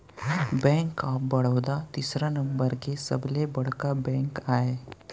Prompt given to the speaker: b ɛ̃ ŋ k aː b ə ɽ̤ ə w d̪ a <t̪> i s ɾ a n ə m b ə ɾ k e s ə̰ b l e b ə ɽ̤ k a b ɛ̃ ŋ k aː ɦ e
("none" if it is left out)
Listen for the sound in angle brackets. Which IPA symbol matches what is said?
t̪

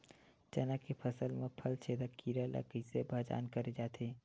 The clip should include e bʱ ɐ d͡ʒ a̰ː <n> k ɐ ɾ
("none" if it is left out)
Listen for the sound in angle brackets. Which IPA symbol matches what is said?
n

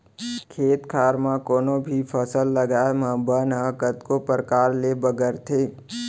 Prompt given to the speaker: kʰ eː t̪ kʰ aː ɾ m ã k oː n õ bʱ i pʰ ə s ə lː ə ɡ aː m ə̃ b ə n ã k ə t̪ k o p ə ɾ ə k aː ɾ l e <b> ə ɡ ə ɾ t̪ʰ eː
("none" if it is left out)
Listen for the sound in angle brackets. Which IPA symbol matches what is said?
b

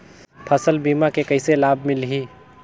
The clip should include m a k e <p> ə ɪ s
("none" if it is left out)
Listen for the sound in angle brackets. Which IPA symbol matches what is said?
k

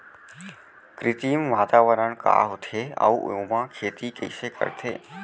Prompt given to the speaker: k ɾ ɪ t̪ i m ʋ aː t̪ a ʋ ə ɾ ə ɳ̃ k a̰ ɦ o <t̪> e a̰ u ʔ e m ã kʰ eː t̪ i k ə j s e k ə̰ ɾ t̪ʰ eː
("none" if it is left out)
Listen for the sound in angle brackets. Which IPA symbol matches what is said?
t̪ʰ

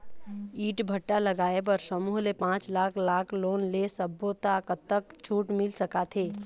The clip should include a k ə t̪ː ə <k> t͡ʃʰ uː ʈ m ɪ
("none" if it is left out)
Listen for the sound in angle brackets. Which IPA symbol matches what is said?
k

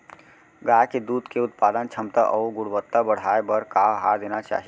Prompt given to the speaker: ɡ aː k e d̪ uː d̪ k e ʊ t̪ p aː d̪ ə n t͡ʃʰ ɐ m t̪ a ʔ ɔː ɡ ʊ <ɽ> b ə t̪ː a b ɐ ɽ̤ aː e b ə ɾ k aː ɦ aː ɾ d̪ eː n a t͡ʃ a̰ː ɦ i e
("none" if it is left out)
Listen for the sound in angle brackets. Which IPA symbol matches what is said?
ɽ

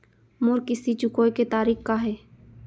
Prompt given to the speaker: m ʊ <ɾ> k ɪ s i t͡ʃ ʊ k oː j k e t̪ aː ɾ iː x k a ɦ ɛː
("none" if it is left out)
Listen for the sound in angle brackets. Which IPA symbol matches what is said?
ɾ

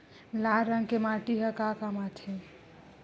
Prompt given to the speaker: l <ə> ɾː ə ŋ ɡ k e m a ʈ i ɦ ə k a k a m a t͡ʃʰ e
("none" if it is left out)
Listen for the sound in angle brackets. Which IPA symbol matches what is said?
a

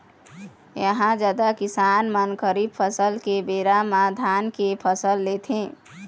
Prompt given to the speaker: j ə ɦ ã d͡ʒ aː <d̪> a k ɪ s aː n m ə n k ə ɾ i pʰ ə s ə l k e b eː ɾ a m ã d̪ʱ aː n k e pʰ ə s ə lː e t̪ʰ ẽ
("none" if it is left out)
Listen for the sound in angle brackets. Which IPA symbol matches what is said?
d̪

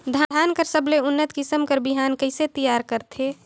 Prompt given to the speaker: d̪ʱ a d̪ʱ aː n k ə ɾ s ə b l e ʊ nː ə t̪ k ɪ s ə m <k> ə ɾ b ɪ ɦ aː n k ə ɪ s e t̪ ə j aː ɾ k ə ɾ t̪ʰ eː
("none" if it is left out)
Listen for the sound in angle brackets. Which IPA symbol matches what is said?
k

